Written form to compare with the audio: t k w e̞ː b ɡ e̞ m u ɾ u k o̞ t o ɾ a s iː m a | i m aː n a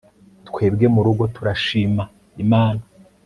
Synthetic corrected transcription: t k w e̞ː b ɡ e̞ m u ɾ u ɡ o̞ t u ɾ a ʃ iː m a | i m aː n a